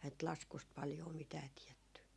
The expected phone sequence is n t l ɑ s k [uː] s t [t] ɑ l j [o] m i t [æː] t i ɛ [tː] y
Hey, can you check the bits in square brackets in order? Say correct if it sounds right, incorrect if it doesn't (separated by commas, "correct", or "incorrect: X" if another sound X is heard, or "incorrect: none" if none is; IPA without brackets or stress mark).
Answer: incorrect: u, incorrect: p, incorrect: oː, correct, correct